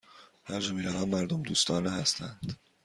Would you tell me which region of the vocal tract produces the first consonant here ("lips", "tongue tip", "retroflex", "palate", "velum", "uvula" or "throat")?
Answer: throat